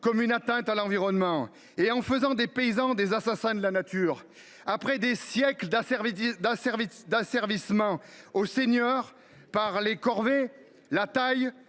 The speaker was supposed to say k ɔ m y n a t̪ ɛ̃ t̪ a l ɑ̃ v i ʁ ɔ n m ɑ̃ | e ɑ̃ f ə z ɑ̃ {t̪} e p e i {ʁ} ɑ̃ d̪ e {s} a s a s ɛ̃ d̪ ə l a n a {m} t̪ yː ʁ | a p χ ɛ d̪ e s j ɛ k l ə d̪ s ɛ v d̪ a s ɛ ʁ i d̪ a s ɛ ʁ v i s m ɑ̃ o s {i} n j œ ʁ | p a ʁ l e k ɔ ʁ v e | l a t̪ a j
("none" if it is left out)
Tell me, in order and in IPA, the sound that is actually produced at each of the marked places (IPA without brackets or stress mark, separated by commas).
d̪, z, z, none, e